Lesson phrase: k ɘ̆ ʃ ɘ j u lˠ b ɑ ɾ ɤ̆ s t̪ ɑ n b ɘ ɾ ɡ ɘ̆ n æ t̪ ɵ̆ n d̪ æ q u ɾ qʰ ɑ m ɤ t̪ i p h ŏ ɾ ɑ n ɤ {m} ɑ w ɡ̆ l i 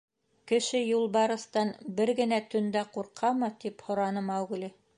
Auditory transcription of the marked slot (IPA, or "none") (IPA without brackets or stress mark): m